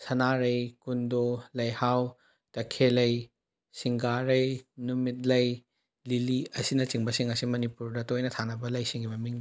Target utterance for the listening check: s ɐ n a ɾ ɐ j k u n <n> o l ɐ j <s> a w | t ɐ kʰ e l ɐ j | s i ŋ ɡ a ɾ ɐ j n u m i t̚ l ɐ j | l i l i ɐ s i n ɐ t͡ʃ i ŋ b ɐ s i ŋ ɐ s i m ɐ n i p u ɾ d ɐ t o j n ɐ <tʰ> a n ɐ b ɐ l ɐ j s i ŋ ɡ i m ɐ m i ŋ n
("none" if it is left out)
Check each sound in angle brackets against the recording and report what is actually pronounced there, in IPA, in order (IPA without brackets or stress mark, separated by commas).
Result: d, h, tʰ